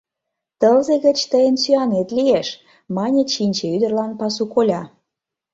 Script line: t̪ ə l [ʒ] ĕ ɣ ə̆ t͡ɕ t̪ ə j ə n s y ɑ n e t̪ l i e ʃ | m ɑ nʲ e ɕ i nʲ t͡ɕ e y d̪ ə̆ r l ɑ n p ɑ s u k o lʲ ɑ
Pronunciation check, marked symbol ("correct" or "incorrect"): incorrect